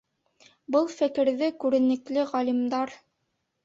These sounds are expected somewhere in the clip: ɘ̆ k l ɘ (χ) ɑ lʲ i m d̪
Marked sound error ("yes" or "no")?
yes